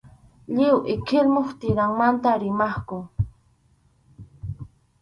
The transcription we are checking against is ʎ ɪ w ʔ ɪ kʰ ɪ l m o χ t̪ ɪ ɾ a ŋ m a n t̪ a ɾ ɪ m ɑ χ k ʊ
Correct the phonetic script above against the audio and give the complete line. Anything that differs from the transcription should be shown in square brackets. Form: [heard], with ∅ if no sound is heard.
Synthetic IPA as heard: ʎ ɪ w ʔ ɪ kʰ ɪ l m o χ t̪ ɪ ɾ a ŋ m a n t̪ a ɾ ɪ m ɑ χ k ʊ